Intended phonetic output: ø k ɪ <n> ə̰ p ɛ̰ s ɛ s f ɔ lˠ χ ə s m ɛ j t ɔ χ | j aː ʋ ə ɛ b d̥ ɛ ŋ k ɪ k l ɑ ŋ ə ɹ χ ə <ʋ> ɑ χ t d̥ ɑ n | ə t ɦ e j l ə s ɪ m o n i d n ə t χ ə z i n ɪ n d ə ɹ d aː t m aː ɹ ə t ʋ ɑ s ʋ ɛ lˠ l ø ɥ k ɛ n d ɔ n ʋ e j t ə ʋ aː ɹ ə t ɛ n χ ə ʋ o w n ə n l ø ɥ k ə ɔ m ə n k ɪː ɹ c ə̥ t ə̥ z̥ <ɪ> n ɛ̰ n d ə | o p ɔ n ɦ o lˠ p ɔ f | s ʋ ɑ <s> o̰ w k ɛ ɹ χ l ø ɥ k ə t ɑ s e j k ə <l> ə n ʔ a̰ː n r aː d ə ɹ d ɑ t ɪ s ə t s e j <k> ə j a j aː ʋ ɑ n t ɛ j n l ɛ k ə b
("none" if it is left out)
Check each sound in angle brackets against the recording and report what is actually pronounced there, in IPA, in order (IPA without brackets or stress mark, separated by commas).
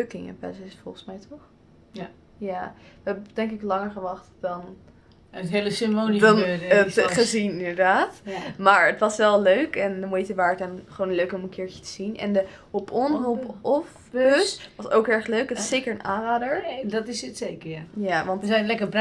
ŋ, ʋ, i, s, ɹ, k